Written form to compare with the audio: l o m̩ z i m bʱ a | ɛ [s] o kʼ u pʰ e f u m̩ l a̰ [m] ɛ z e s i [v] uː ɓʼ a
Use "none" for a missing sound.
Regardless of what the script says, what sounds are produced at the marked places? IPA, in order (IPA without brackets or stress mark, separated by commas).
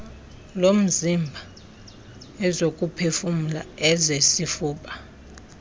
z, none, f